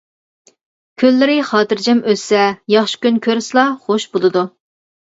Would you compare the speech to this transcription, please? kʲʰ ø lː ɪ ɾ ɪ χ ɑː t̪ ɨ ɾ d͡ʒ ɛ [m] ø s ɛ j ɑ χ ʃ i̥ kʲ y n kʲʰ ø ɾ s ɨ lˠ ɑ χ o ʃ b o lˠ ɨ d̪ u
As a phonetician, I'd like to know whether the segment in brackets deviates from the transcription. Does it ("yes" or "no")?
no